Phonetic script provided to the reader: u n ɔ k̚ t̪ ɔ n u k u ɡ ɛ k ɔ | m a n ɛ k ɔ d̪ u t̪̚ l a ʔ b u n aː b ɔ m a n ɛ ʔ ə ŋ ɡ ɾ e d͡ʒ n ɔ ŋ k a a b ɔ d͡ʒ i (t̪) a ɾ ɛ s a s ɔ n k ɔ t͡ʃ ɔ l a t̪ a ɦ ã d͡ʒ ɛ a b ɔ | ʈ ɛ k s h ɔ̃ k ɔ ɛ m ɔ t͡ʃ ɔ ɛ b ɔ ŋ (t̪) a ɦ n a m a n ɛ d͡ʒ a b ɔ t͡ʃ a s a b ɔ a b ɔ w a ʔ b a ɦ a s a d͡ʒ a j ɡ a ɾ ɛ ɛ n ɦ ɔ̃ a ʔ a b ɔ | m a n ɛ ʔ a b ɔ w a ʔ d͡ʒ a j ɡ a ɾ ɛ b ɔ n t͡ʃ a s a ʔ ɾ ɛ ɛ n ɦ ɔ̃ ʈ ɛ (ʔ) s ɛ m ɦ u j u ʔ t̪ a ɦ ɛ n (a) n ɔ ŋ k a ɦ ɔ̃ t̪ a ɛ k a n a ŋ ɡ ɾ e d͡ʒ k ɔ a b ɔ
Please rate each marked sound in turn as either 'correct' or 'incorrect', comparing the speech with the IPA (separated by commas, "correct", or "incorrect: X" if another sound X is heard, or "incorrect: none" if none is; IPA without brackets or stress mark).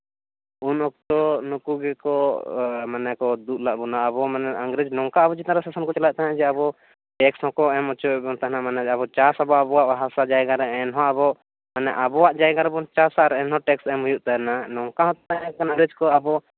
correct, correct, incorrect: k, correct